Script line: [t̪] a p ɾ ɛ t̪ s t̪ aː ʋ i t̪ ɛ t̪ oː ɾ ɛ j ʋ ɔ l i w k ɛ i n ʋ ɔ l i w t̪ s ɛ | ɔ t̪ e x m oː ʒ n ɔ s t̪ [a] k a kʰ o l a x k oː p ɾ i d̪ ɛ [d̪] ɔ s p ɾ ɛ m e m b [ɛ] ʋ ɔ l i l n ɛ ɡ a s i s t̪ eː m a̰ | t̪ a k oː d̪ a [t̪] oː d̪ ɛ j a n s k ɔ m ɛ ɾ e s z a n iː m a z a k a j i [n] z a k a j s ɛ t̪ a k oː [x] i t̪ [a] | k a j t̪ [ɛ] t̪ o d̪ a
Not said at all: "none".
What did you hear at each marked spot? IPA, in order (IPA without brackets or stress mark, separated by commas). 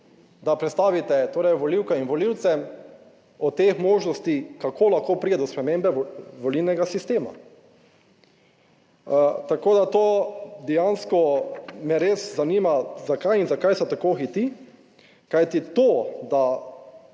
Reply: d̪, i, d̪, ɛ, t̪, n, x, i, i